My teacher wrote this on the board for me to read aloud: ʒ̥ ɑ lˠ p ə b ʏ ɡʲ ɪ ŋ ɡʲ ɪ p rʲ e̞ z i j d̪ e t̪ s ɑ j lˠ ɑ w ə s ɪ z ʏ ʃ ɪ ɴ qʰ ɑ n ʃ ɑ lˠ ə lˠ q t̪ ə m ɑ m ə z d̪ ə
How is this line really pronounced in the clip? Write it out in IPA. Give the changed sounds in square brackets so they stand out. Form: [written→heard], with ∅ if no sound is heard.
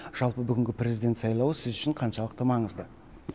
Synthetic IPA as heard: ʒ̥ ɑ lˠ p ə b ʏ ɡʲ ɪ ŋ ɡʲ ɪ p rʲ e̞ z i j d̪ e t̪ s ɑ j lˠ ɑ w ə s ɪ z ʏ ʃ ɪ ɴ qʰ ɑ n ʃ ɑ lˠ ə [lˠ→∅] q t̪ ə m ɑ [m→ɴ] ə z d̪ ə